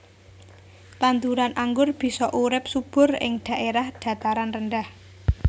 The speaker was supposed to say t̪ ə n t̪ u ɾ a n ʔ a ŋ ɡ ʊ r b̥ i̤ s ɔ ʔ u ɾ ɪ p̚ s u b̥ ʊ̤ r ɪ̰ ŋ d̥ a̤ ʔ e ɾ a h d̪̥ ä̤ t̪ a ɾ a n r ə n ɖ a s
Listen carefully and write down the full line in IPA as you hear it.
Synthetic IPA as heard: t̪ a n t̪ u ɾ a n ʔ a ŋ ɡ ʊ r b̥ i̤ s ɔ ʔ u ɾ ɪ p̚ s u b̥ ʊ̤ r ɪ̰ ŋ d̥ a̤ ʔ e ɾ a h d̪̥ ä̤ t̪ a ɾ a n r ə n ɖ a h